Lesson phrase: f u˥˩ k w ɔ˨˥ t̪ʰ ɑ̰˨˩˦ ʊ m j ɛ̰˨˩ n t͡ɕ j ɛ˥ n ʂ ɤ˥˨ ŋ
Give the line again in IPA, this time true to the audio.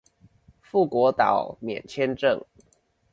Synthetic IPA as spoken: f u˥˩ k w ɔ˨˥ t̪ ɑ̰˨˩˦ ʊ m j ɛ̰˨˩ n t͡ɕʰ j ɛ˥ n ʈ͡ʂ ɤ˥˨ ŋ